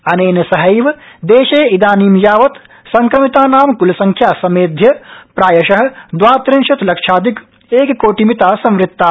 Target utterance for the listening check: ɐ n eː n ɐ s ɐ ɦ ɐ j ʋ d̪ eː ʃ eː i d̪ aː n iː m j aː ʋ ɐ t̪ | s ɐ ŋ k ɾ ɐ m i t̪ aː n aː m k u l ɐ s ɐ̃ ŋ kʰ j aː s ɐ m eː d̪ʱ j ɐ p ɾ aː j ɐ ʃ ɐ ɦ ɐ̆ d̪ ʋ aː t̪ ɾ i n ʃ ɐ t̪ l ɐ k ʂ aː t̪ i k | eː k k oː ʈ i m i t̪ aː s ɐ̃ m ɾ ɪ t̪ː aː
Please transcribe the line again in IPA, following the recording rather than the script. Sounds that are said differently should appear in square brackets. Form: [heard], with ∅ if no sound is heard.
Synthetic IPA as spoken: ɐ n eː n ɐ s ɐ ɦ ɐ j ʋ d̪ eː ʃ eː i d̪ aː n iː m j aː ʋ ɐ t̪ | s ɐ ŋ k ɾ ɐ m i t̪ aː n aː m k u l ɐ s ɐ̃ ŋ kʰ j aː s ɐ m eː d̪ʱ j ɐ p ɾ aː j ɐ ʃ ɐ ɦ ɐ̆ d̪ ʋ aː t̪ ɾ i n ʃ ɐ t̪ l ɐ k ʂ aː [d̪] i k | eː k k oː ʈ i m i t̪ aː s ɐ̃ m ɾ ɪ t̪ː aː

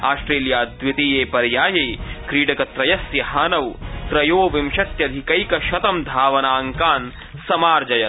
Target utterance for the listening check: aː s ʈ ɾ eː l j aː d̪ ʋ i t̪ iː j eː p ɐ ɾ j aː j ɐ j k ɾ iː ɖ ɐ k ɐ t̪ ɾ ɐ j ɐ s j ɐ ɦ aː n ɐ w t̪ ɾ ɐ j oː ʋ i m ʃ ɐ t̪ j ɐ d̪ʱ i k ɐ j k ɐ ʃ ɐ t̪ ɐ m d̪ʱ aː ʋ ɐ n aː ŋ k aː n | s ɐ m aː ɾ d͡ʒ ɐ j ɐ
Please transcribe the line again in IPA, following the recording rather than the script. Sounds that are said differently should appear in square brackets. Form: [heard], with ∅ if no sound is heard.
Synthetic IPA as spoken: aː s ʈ ɾ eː l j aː d̪ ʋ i t̪ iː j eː p ɐ ɾ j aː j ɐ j k ɾ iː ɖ ɐ k ɐ t̪ ɾ ɐ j ɐ s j ɐ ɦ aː n ɐ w t̪ ɾ ɐ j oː ʋ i m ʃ ɐ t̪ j ɐ d̪ʱ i k ɐ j k ɐ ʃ ɐ t̪ ɐ m d̪ʱ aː ʋ ɐ n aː ŋ k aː n | s ɐ m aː ɾ d͡ʒ ɐ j ɐ

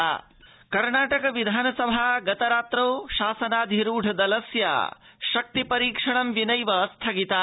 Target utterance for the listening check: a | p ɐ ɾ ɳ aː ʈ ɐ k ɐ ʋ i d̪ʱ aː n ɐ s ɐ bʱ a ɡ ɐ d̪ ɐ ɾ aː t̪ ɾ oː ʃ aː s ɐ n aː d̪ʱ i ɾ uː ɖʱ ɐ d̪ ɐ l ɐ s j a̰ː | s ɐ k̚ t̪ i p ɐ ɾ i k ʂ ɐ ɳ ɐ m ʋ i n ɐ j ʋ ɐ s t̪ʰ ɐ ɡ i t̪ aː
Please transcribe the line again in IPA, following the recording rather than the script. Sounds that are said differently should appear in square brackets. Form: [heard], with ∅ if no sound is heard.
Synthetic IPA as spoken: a | [k] ɐ ɾ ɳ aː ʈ ɐ k ɐ ʋ i d̪ʱ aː n ɐ s ɐ bʱ a ɡ ɐ [t̪] ɐ ɾ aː t̪ ɾ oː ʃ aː s ɐ n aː d̪ʱ i ɾ uː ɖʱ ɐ d̪ ɐ l ɐ s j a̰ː | [ʃ] ɐ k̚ t̪ i p ɐ ɾ [iː] k ʂ ɐ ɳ ɐ m ʋ i n ɐ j ʋ ɐ s t̪ʰ ɐ ɡ i t̪ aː

